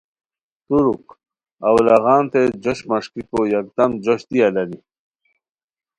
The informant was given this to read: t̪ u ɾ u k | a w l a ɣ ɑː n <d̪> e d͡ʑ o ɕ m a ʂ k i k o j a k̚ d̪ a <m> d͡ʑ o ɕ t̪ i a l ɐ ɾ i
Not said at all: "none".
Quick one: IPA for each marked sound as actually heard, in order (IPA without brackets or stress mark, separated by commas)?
t̪, m